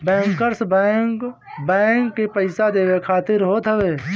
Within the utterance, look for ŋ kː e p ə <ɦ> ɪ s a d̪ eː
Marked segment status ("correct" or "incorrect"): incorrect